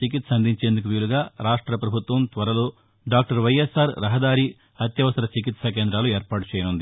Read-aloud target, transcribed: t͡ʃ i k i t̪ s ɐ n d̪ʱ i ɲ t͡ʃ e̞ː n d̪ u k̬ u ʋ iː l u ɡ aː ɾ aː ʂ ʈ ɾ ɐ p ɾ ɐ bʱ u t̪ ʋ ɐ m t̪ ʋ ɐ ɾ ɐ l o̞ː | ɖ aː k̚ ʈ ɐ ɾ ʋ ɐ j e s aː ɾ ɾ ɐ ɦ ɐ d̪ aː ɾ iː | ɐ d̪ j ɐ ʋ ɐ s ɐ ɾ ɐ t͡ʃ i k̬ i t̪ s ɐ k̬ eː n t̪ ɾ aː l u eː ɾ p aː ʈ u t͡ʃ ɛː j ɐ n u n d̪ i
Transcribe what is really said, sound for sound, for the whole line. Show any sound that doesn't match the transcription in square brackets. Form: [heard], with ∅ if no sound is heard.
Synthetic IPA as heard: t͡ʃ i k i t̪ s ɐ n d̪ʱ i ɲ t͡ʃ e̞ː n d̪ u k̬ u ʋ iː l u ɡ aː ɾ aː ʂ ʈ ɾ ɐ p ɾ ɐ bʱ u t̪ ʋ ɐ m t̪ ʋ ɐ ɾ ɐ l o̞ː | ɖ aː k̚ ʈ ɐ ɾ ʋ ɐ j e s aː ɾ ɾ ɐ ɦ ɐ d̪ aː ɾ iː | ɐ [t̪] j ɐ ʋ ɐ s ɐ ɾ ɐ t͡ʃ i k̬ i t̪ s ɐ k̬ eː n [d̪] ɾ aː l u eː ɾ p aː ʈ u t͡ʃ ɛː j ɐ n u n d̪ i